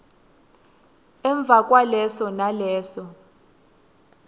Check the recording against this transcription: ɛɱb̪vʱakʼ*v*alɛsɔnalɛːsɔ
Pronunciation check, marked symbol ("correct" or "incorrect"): incorrect